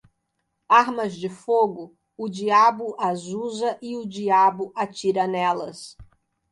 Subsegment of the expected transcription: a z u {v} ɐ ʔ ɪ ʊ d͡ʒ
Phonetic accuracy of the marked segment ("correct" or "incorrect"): incorrect